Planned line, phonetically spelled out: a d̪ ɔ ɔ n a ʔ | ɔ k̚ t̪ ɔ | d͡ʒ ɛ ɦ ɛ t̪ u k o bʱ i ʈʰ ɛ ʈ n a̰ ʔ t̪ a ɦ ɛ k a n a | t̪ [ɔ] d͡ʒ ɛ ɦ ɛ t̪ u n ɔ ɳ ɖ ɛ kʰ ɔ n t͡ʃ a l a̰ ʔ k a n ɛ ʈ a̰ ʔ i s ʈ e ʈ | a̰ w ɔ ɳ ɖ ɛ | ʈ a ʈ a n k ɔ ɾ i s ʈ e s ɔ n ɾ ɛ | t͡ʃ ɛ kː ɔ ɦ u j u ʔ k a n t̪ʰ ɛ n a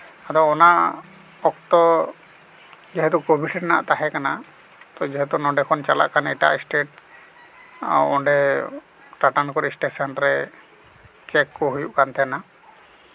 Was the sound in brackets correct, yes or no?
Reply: yes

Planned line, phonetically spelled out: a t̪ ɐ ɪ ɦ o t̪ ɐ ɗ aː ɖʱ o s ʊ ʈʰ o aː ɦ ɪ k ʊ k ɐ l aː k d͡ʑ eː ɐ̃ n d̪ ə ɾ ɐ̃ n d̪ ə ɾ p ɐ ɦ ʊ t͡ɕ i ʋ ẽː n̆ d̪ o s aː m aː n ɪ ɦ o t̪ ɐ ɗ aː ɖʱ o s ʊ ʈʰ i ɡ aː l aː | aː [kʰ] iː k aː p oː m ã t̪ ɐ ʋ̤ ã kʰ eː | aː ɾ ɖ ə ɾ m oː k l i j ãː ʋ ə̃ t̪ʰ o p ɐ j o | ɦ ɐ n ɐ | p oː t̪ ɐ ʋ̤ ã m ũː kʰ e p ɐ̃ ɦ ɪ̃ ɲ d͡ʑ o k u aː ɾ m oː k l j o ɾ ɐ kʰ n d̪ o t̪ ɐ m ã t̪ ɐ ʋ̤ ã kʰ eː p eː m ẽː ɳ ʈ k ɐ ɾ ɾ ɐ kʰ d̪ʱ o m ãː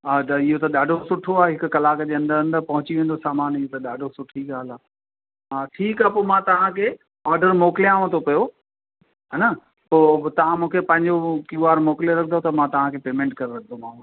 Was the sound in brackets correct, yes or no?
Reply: no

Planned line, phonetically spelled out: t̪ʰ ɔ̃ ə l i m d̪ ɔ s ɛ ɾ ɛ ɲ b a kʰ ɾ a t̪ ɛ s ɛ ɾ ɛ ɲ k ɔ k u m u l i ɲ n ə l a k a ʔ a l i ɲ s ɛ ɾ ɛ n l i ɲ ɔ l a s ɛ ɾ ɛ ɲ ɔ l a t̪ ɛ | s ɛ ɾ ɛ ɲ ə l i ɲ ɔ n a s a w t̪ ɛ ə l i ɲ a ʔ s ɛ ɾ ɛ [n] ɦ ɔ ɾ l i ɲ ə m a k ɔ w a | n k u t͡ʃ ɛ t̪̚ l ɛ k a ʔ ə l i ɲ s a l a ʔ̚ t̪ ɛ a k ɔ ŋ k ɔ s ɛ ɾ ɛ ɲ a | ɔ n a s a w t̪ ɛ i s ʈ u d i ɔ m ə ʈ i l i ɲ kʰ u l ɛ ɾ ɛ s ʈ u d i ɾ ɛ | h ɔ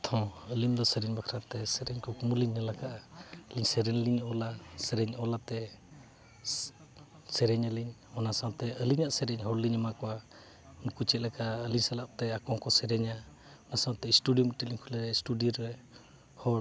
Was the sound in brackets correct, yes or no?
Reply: no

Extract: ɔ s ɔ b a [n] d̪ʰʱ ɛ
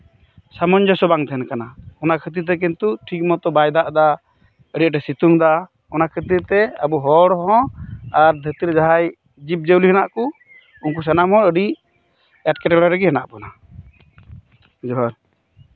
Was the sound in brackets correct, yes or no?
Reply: no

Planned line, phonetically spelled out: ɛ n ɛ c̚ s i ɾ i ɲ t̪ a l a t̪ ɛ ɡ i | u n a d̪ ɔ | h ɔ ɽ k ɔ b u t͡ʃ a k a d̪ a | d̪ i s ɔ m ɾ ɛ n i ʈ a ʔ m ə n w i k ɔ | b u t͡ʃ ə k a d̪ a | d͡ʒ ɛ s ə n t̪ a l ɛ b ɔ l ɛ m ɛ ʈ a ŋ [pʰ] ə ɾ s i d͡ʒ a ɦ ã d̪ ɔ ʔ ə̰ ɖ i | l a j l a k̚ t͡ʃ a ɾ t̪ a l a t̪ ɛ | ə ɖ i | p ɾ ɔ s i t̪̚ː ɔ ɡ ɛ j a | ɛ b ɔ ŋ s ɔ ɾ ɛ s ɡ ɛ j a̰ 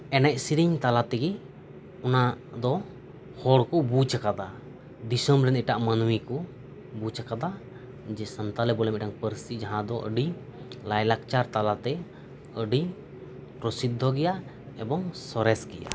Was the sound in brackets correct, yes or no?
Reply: no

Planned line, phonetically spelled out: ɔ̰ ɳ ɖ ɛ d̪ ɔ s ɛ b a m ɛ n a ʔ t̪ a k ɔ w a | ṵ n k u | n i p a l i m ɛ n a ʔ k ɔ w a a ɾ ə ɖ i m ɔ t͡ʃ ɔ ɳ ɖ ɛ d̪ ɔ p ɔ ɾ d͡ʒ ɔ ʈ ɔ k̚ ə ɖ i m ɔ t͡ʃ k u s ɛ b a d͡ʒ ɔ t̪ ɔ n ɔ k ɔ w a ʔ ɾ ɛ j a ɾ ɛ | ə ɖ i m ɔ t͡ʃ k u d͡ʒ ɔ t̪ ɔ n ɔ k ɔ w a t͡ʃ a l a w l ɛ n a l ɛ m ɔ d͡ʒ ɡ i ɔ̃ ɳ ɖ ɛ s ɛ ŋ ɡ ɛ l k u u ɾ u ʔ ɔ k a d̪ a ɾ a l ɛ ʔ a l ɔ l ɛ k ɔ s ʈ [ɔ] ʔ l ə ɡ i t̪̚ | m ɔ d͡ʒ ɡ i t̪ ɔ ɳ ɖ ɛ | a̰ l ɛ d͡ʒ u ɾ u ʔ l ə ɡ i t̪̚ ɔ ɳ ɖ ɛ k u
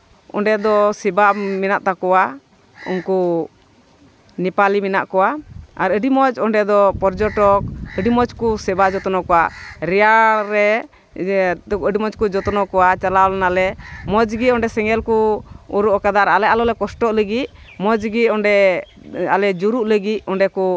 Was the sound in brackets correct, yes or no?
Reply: yes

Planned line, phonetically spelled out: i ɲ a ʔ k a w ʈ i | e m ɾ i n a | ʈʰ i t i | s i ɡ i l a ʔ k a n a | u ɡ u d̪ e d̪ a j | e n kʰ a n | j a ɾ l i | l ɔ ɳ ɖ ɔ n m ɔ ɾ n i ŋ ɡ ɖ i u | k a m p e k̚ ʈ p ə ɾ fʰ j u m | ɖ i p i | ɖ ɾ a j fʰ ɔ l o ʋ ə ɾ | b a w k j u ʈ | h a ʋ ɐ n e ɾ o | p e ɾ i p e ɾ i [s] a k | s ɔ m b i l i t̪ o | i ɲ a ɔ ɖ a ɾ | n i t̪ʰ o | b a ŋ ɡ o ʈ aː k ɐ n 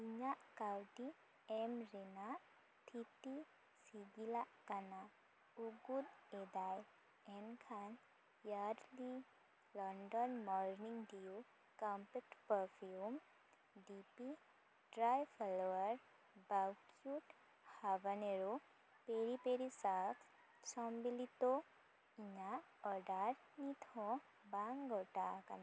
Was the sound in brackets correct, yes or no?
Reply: yes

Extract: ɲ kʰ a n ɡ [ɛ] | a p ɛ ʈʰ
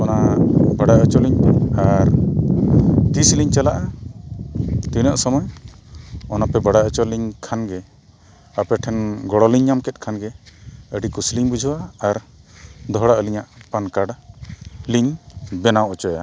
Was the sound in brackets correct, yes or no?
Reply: yes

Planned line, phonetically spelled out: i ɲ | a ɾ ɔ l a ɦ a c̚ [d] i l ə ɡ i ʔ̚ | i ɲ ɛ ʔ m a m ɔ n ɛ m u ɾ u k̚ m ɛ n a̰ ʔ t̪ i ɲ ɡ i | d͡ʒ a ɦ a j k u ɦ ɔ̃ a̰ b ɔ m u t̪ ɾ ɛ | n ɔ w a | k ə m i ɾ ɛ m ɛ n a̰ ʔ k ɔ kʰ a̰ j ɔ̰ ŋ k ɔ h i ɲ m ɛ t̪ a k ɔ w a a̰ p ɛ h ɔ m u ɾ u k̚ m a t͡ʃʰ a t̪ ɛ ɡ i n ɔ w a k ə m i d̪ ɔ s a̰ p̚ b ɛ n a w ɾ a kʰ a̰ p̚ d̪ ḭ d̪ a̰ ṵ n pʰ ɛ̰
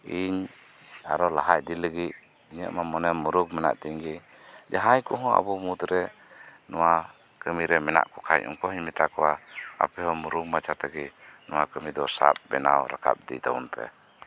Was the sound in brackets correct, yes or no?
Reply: yes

